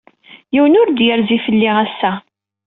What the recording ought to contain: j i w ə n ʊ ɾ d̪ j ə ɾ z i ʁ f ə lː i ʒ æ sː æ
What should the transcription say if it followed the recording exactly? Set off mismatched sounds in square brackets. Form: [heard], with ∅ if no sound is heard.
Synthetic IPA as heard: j i w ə n ʊ ɾ d̪ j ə ɾ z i [∅] f ə lː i [ʁ] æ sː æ